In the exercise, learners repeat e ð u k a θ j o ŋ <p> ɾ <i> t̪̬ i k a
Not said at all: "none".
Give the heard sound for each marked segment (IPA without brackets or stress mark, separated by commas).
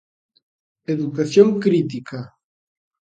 k, i